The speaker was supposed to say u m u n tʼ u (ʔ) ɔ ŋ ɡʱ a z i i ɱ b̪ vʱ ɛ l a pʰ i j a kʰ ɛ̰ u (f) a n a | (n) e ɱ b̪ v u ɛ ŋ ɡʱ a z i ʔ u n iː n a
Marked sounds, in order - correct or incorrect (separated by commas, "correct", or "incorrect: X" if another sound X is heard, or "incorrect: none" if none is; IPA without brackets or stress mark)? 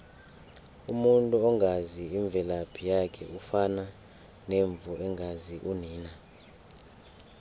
incorrect: none, correct, correct